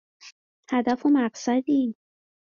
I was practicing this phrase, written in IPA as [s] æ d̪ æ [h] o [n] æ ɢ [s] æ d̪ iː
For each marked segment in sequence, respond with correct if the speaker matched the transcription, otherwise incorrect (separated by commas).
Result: incorrect, incorrect, incorrect, correct